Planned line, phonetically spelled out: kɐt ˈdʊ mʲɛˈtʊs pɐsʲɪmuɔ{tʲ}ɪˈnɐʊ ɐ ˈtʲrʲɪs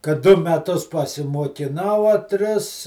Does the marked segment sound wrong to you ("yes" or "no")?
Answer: yes